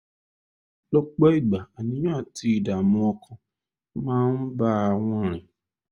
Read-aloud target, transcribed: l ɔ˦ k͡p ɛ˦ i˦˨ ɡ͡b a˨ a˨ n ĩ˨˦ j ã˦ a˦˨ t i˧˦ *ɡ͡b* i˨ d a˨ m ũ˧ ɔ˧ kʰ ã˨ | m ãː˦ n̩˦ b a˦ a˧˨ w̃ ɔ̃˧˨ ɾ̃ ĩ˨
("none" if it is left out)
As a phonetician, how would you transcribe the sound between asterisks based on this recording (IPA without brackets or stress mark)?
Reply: none